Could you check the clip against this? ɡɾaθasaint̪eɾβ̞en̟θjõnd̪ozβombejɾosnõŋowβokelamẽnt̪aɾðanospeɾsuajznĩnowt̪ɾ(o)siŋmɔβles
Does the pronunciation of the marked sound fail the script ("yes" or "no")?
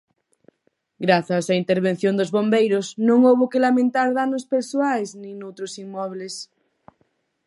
no